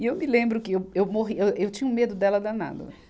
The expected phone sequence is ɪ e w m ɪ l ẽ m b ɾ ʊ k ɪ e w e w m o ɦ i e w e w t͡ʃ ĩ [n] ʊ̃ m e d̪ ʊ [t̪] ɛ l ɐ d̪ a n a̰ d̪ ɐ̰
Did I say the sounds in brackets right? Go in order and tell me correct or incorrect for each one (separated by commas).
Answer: incorrect, incorrect